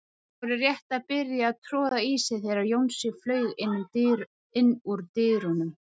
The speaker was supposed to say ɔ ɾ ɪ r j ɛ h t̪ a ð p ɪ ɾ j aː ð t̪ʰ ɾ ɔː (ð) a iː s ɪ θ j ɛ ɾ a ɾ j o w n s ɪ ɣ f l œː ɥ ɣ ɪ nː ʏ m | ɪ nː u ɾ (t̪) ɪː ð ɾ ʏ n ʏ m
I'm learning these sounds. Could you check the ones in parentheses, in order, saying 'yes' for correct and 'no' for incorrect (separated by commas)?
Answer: yes, yes